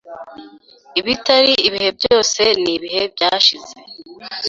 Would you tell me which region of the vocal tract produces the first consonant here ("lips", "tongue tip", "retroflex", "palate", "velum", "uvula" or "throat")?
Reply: lips